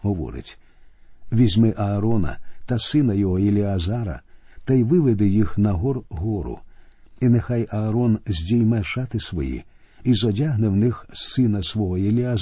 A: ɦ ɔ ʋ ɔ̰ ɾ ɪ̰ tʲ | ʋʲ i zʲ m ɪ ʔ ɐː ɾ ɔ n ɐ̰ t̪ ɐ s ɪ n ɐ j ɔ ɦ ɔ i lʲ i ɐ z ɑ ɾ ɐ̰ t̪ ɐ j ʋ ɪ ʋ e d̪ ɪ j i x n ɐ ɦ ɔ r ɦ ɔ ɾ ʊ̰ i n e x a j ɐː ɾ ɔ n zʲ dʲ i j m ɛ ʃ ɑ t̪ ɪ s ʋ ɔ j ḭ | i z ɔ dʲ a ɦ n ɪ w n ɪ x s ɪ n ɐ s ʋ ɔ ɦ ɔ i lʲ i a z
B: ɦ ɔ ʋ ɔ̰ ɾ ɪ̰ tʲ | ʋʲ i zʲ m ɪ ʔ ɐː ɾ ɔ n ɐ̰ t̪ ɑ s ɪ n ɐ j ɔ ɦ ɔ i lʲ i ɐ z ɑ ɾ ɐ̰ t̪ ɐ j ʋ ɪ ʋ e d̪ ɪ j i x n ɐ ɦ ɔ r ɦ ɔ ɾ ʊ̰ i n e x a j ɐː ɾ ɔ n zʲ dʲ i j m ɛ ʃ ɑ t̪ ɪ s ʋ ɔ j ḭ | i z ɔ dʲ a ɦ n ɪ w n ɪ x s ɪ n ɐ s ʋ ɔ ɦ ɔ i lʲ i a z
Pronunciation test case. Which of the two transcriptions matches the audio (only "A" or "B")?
A